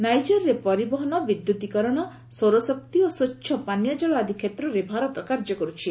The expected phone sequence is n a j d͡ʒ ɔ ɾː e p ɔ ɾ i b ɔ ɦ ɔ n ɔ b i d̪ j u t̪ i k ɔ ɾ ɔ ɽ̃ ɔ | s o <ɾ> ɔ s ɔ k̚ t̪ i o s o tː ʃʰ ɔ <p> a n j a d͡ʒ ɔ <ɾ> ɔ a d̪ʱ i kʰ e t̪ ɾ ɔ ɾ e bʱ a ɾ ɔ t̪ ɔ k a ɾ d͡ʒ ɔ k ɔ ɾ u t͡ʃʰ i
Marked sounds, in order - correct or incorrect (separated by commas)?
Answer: correct, correct, incorrect